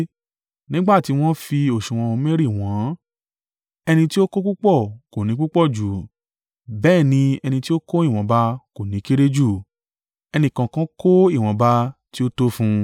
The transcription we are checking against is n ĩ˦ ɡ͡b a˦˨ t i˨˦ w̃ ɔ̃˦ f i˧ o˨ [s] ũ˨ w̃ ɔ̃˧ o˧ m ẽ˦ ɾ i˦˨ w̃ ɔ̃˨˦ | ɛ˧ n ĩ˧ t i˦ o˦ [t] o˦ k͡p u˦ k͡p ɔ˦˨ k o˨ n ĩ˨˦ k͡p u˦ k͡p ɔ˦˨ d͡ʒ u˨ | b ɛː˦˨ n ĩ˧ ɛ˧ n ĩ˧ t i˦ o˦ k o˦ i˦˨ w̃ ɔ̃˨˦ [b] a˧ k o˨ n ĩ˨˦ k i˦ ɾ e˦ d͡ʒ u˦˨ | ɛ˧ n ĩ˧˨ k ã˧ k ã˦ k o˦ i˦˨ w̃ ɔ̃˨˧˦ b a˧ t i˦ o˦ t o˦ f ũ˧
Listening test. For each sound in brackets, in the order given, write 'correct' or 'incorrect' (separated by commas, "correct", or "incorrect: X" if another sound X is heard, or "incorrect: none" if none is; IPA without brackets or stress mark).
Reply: incorrect: ʃ, incorrect: k, correct